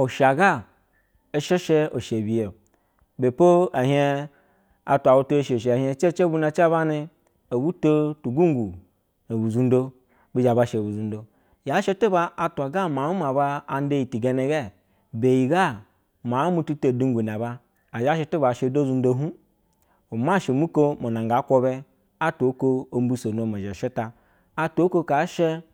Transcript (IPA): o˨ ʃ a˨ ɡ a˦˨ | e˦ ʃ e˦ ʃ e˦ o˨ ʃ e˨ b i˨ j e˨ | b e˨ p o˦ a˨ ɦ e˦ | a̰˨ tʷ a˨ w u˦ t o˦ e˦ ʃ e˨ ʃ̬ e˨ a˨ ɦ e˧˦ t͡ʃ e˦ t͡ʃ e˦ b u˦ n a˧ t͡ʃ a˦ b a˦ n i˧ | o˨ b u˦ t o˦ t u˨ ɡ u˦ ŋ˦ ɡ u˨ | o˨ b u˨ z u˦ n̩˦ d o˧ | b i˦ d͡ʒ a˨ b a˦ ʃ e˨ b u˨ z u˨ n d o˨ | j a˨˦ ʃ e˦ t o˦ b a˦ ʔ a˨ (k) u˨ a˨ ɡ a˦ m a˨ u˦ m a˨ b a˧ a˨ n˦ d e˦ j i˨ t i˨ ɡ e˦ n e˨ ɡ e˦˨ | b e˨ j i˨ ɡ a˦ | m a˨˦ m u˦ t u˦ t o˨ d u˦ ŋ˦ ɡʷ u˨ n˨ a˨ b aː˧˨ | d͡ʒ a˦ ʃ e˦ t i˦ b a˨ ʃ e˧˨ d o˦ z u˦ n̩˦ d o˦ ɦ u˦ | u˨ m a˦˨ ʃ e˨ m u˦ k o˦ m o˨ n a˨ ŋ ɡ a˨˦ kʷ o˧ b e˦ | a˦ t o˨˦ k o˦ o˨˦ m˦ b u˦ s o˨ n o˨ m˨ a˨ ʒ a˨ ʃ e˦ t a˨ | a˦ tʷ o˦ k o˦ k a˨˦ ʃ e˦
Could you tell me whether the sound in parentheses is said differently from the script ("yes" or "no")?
yes